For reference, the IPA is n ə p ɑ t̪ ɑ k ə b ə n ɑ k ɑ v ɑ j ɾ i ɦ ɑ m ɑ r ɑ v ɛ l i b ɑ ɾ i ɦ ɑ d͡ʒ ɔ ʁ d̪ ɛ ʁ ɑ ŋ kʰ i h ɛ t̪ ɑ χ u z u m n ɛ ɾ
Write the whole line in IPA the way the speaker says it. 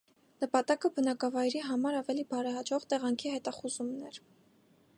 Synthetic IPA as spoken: n ə p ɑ t̪ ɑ k ə b ə n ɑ k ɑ v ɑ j ɾ i ɦ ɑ m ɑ ɾ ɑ v ɛ l i b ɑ ɾ ɛ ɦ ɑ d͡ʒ ɔ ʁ t̪ ɛ ʁ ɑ ŋ kʰ i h ɛ t̪ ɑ χ u z u m n ɛ ɾ